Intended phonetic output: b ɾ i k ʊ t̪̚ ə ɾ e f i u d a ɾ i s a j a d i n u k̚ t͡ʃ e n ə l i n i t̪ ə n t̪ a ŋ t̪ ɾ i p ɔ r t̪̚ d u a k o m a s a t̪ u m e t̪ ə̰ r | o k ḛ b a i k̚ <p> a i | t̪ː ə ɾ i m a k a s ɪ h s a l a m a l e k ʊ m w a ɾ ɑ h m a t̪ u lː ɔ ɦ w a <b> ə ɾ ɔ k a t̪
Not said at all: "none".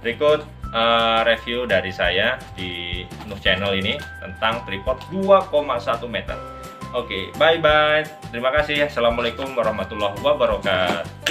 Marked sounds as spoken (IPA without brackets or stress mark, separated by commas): b, b